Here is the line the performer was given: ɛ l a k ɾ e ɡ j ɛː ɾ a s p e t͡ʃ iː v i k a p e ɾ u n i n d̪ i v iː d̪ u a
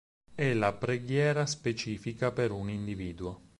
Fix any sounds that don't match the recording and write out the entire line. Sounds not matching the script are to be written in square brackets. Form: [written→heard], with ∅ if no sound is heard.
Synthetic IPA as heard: ɛ l a [k→p] ɾ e ɡ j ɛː ɾ a s p e t͡ʃ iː [v→f] i k a p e ɾ u n i n d̪ i v iː d̪ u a